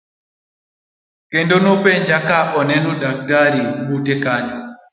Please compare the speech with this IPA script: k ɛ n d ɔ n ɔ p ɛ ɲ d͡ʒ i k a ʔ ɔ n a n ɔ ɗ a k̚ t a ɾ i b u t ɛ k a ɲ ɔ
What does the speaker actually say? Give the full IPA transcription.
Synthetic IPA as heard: k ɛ n d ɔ n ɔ p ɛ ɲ d͡ʒ a k a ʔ ɔ n ɛ n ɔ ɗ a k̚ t a ɾ i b u t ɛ k a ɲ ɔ